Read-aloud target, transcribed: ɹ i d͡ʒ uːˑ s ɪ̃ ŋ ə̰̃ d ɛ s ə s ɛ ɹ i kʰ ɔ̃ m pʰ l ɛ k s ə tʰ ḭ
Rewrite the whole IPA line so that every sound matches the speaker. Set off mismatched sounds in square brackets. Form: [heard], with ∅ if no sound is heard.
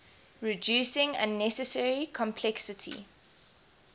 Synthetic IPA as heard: ɹ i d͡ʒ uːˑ s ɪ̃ ŋ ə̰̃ [n] ɛ s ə s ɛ ɹ i kʰ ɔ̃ m pʰ l ɛ k s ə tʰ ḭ